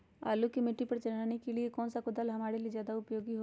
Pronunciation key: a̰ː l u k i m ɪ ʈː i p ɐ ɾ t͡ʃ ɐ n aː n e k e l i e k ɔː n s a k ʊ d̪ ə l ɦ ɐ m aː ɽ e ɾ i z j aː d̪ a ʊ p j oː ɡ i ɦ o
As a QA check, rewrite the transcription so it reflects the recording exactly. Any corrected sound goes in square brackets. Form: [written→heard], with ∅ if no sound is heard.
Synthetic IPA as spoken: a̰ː l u k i m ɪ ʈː i p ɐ ɾ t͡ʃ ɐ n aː n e k e l i e k ɔː n s a k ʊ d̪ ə l ɦ ɐ m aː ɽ e [ɾ→l] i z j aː d̪ a ʊ p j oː ɡ i ɦ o

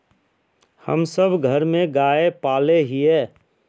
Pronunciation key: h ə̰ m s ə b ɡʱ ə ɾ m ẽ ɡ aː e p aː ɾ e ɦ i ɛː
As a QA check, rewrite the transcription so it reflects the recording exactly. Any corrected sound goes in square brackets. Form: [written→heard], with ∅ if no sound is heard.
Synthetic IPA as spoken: h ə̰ m s ə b ɡʱ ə ɾ m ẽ ɡ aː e p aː [ɾ→l] e ɦ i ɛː

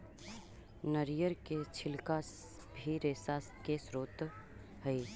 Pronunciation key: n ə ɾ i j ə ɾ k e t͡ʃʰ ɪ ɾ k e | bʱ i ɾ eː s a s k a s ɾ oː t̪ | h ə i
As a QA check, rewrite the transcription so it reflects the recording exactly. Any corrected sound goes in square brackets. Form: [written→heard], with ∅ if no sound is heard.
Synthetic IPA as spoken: n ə ɾ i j ə ɾ k e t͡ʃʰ ɪ [ɾ→l] k [e→a] | bʱ i ɾ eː s a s k [a→e] s ɾ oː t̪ | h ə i

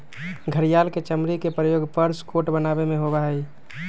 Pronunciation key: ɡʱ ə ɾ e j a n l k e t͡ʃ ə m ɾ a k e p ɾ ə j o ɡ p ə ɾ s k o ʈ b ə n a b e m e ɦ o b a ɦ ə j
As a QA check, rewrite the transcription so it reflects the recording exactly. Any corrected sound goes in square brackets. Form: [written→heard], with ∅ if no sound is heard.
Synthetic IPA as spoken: ɡʱ ə ɾ [e→i] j a [n→∅] l k e t͡ʃ ə m ɾ [a→i] k e p ɾ ə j o ɡ p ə ɾ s k o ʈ b ə n a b e m e ɦ o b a ɦ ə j

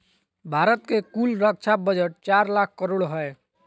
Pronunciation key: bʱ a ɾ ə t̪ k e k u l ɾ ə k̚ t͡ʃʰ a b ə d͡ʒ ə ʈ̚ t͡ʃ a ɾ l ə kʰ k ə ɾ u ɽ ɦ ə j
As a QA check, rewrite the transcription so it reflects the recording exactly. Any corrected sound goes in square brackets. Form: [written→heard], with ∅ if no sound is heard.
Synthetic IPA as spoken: bʱ a ɾ ə t̪ k e k u l ɾ ə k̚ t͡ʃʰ a b ə d͡ʒ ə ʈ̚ t͡ʃ a ɾ l [ə→a] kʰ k ə ɾ [u→o] ɽ ɦ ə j

